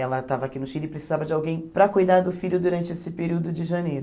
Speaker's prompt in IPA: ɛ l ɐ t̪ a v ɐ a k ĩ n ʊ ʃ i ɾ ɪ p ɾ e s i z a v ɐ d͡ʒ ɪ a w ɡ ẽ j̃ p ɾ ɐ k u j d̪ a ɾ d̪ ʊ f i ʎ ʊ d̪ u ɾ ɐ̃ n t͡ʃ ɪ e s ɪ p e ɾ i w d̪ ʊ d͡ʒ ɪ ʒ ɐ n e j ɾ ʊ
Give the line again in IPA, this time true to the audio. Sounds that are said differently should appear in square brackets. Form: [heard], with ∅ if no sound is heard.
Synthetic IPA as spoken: ɛ l ɐ t̪ a v ɐ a k [i] n ʊ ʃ i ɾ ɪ p ɾ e s i z a v ɐ d͡ʒ ɪ a w ɡ ẽ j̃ p ɾ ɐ k u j d̪ a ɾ d̪ ʊ f i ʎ ʊ d̪ u ɾ ɐ̃ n t͡ʃ ɪ e s ɪ p e ɾ i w d̪ ʊ d͡ʒ ɪ ʒ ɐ n e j ɾ ʊ